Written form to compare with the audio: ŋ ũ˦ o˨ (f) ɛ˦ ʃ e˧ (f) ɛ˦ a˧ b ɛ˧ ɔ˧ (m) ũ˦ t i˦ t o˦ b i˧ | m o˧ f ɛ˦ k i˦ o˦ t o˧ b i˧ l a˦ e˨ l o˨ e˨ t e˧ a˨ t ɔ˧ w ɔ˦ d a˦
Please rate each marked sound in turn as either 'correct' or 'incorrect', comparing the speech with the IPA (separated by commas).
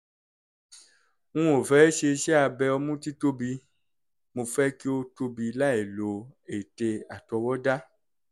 correct, incorrect, correct